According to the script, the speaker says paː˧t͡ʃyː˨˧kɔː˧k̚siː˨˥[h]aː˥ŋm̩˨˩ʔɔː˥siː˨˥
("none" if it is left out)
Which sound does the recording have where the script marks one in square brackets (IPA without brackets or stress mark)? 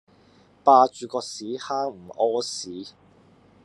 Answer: h